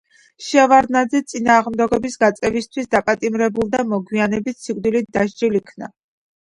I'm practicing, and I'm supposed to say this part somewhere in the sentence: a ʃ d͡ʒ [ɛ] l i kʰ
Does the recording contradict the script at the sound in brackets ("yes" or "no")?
yes